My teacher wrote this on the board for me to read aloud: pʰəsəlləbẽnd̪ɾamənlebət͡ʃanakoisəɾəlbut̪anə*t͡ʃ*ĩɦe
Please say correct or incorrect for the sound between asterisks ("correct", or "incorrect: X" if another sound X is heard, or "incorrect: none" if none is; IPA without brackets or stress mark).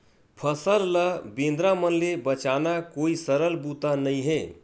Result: incorrect: none